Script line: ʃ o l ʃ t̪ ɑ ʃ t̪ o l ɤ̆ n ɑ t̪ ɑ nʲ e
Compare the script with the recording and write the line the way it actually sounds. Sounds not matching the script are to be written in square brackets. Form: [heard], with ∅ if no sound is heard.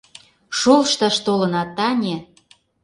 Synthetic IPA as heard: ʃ o l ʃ t̪ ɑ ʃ t̪ o l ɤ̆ n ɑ t̪ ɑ nʲ e